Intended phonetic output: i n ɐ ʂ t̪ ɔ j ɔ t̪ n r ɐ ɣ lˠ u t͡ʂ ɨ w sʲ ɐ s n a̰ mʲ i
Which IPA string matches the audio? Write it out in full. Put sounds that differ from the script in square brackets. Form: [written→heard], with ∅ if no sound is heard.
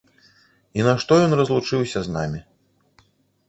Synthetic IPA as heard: i n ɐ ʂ t̪ ɔ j ɔ [t̪→∅] n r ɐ [ɣ→z] lˠ u t͡ʂ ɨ w sʲ ɐ [s→z] n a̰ mʲ i